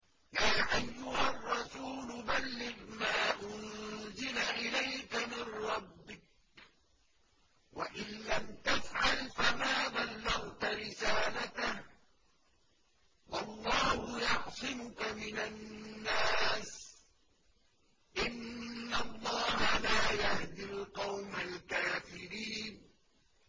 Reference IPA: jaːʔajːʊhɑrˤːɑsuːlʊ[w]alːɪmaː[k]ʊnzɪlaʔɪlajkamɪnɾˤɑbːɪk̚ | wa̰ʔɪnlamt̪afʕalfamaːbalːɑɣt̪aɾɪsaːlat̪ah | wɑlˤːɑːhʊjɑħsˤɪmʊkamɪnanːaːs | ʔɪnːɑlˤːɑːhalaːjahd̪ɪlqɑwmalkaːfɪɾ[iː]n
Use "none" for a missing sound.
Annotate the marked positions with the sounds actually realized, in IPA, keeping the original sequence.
b, ʔ, iː

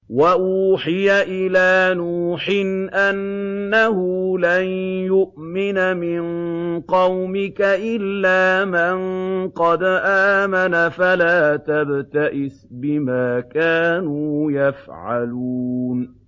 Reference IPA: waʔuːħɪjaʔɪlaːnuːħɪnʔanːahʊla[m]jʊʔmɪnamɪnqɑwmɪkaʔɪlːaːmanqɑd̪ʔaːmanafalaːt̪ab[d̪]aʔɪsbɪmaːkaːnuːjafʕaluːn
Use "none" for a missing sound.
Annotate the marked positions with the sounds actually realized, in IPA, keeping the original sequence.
n, t̪

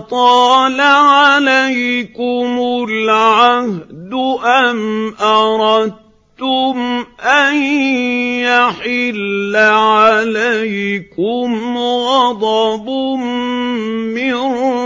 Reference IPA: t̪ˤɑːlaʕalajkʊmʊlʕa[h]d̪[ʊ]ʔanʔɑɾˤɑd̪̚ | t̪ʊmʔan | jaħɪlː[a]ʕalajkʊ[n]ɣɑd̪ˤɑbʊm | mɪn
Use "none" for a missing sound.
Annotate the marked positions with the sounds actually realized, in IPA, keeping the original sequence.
h, ʊ, a, m

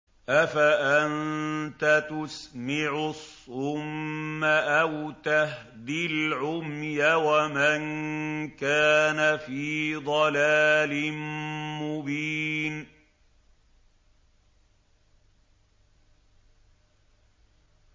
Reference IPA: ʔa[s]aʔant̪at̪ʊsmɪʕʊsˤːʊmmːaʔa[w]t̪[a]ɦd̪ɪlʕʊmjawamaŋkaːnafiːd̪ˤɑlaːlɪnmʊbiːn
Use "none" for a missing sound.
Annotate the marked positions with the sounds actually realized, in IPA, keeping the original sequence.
f, w, a

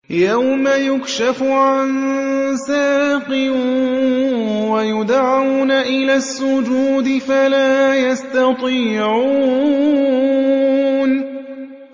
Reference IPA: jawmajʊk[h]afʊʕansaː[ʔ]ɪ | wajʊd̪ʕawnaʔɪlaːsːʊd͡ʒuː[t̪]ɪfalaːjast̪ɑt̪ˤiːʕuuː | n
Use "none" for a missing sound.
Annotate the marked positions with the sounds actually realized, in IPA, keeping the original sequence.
ʃ, q, d̪

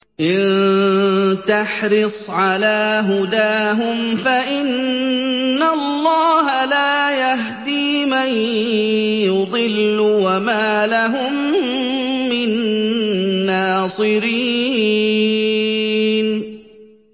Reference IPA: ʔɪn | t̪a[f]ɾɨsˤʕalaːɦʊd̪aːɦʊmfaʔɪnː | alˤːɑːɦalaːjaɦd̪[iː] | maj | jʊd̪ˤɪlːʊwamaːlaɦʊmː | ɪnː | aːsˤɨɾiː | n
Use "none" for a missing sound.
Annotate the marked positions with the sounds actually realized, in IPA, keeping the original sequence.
ħ, iː

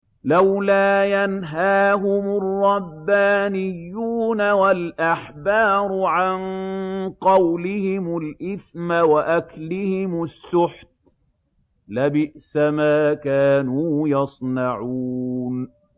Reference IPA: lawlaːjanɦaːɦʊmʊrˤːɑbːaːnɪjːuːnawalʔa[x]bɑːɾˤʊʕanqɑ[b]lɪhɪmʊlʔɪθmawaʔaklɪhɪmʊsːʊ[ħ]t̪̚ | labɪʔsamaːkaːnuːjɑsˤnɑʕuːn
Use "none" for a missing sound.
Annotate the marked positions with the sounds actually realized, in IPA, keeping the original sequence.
ħ, w, ħ

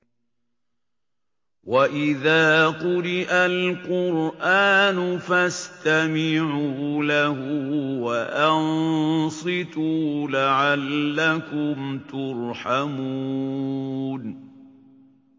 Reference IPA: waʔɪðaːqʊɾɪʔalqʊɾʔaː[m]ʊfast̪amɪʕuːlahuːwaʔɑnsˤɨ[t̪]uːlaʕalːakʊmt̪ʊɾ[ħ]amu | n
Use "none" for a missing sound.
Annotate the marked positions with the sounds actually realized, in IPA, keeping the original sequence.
n, t̪, ħ

